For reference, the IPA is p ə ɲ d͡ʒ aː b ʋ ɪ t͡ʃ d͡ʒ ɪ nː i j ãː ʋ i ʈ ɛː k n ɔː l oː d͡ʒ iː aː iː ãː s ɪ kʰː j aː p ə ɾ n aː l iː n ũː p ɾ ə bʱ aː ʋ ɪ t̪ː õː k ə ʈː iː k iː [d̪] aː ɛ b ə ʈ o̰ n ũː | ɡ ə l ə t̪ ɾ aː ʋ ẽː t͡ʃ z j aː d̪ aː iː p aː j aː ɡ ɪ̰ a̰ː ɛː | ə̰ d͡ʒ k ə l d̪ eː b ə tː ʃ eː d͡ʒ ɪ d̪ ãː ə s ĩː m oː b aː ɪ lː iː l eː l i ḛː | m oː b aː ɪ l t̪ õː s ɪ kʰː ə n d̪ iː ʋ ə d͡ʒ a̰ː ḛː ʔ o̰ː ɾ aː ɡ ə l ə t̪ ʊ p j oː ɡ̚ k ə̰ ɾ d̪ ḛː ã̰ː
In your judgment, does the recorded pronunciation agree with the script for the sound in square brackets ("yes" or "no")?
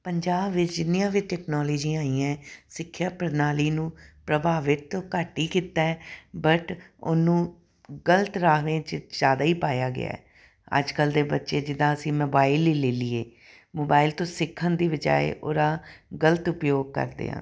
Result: no